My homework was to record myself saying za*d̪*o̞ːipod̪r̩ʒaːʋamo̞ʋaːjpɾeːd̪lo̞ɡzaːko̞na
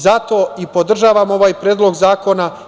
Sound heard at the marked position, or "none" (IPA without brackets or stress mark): t̪